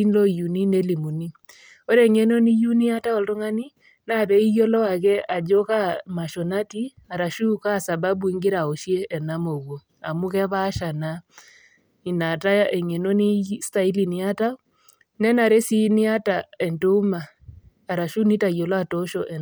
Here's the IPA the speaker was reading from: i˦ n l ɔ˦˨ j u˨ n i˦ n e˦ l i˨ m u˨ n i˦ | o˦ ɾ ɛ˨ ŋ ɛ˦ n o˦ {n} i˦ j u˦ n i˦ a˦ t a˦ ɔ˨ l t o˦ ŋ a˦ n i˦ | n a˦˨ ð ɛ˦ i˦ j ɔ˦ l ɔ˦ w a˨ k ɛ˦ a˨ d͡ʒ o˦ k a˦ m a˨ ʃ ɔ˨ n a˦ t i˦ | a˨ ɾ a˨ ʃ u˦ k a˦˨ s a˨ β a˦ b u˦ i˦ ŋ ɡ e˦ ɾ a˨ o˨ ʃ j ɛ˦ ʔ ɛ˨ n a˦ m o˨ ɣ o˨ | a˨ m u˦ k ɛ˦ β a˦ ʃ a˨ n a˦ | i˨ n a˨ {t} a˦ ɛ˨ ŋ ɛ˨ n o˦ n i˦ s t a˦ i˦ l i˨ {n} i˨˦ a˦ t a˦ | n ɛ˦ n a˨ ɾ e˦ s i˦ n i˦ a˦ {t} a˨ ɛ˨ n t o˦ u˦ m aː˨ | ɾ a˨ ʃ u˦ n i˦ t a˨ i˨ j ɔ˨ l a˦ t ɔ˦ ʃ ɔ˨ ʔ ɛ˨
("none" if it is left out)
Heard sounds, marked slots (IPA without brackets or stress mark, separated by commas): n, t, n, t